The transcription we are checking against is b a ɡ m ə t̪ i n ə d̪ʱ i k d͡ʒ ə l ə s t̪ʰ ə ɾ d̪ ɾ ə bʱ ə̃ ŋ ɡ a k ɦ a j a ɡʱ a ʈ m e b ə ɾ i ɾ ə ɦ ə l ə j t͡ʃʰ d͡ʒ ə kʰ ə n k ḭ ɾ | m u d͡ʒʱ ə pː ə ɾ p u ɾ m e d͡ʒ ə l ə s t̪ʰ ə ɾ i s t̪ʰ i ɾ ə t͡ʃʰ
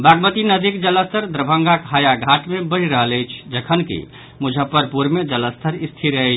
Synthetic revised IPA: b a ɡ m ə t̪ i n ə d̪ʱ i k d͡ʒ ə l ə s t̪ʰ ə ɾ d̪ ɾ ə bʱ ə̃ ŋ ɡ a k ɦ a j a ɡʱ a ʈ m e b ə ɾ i ɾ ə ɦ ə l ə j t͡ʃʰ d͡ʒ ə kʰ ə n k ḭ | m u d͡ʒʱ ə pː ə ɾ p u ɾ m e d͡ʒ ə l ə s t̪ʰ ə ɾ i s t̪ʰ i ɾ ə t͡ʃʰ